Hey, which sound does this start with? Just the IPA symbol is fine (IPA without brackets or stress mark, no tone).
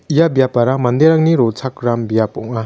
i